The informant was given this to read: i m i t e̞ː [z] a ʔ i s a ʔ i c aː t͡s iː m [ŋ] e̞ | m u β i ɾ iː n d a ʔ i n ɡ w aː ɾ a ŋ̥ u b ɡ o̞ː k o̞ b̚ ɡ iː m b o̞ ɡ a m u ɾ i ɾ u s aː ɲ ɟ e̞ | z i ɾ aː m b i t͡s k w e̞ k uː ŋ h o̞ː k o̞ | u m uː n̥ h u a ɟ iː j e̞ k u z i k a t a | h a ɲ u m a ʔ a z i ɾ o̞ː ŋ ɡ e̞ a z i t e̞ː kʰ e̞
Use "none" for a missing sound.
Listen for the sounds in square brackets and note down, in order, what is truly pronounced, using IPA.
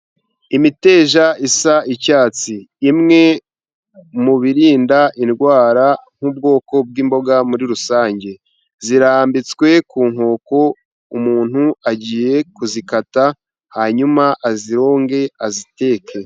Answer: ʒ, ŋ

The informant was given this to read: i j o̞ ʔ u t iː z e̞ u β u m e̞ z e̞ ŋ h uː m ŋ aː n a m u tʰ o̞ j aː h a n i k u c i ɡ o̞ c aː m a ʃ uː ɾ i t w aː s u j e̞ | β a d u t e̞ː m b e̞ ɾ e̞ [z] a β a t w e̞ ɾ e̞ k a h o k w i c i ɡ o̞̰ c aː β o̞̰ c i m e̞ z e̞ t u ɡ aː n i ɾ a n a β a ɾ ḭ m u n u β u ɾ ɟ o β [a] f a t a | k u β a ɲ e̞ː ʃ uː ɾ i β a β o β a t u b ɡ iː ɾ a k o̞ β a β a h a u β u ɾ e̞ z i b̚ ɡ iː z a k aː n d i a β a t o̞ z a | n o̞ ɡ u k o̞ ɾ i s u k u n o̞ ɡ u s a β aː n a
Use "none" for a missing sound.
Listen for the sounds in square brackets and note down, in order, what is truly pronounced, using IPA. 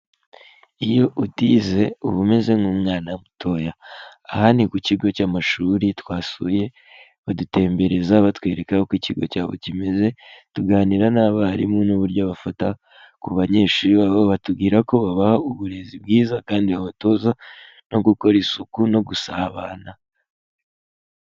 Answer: z, a

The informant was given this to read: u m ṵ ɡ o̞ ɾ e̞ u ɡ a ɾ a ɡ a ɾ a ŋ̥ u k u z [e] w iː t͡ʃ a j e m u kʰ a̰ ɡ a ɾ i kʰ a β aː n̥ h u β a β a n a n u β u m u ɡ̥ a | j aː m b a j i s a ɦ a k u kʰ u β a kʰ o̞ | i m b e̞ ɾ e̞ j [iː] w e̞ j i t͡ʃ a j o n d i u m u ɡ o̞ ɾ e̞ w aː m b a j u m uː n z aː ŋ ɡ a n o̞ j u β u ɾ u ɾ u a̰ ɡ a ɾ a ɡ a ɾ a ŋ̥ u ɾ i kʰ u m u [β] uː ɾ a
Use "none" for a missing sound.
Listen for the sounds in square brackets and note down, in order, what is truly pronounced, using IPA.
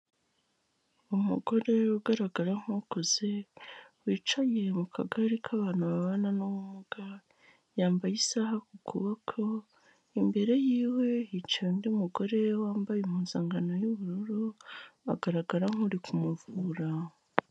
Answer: e, iː, v

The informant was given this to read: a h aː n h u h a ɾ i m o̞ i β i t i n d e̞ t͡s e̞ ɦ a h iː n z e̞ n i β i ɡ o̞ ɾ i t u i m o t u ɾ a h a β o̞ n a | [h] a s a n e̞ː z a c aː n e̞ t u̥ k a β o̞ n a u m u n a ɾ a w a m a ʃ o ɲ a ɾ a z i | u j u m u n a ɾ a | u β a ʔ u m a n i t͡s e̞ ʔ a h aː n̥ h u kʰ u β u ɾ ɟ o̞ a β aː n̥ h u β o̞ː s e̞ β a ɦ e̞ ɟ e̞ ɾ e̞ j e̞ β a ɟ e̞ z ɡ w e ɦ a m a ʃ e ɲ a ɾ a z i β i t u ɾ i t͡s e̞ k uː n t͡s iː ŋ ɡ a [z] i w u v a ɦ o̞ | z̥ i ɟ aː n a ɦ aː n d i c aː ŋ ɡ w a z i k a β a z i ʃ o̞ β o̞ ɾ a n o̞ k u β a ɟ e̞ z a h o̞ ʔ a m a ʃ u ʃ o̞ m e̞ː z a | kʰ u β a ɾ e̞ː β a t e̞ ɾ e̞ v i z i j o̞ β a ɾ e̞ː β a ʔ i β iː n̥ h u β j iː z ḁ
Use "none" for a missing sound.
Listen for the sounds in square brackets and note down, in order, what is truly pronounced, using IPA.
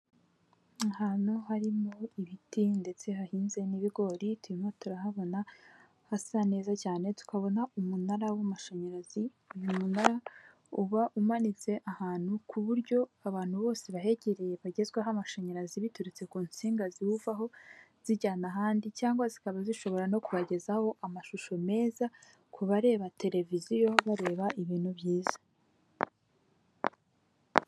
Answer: h, z

